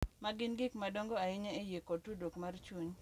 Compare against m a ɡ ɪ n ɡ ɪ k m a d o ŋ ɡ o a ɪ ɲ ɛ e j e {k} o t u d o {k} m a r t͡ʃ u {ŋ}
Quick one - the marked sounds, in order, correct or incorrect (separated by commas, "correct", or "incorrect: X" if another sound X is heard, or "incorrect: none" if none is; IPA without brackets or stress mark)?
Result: correct, correct, incorrect: ɲ